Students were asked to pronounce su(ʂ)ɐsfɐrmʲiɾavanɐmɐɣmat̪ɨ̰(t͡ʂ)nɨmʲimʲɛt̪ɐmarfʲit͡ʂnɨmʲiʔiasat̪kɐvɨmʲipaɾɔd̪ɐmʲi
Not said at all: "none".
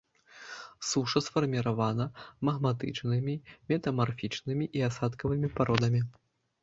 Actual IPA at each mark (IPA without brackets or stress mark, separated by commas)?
ʂ, t͡ʂ